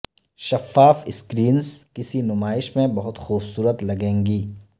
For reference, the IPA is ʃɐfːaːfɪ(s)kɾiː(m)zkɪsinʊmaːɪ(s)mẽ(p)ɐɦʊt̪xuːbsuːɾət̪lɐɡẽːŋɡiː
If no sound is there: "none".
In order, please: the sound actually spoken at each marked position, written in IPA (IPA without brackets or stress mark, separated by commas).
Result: s, n, ʃ, b